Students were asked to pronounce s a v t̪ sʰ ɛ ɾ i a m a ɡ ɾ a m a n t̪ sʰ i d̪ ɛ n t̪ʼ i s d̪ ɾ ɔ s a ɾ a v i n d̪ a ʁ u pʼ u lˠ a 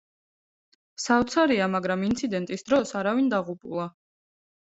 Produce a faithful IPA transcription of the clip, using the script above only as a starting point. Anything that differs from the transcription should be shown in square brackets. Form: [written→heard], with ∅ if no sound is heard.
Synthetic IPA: s a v t̪ sʰ [ɛ→a] ɾ i a m a ɡ ɾ a m [a→i] n t̪ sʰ i d̪ ɛ n t̪ʼ i s d̪ ɾ ɔ s a ɾ a v i n d̪ a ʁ u pʼ u lˠ a

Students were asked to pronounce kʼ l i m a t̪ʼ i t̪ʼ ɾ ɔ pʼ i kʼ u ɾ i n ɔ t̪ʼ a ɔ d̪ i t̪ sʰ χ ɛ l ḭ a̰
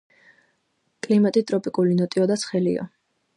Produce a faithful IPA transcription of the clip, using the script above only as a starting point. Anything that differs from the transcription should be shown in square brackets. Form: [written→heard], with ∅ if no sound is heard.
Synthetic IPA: kʼ l i m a t̪ʼ i t̪ʼ ɾ ɔ pʼ i kʼ u [ɾ→l] i n ɔ t̪ʼ [a→i] ɔ d̪ [i→a] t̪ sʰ χ ɛ l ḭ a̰

